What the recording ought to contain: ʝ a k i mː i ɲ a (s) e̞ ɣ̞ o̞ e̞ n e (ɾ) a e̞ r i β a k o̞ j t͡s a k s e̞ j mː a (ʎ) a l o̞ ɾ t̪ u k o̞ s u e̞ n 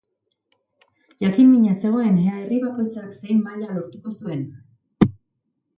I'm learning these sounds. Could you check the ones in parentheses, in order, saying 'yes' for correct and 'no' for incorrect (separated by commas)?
yes, no, yes